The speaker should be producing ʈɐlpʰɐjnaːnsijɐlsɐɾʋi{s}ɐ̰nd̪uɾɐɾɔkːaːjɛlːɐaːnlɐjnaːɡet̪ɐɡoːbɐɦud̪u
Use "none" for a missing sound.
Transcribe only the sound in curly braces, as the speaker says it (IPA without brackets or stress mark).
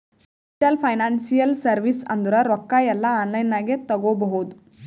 s